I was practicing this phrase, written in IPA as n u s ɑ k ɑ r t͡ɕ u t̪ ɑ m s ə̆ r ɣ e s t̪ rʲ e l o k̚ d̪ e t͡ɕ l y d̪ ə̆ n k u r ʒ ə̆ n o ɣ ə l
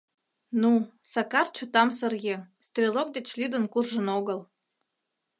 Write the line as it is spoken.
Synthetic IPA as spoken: n u s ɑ k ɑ r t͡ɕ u t̪ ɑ m s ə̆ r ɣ e s t̪ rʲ e l o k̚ d̪ e t͡ɕ l y d̪ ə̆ n k u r ʒ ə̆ n o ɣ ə l